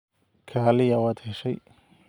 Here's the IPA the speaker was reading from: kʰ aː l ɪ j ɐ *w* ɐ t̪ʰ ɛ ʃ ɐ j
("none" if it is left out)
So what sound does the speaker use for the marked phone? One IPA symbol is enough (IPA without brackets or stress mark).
w